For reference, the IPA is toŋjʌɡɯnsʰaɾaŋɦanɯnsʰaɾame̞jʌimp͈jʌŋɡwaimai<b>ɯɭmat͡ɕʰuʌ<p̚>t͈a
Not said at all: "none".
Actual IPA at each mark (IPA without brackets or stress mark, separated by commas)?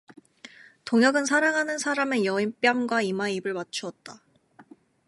b, t̚